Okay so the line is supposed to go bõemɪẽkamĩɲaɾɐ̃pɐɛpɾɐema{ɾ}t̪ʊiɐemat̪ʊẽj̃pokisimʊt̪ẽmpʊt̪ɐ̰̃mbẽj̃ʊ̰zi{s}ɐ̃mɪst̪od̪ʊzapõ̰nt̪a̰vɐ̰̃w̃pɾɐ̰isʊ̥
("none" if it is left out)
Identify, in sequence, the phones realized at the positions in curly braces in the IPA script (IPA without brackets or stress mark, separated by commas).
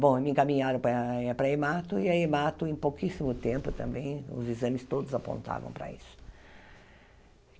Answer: none, z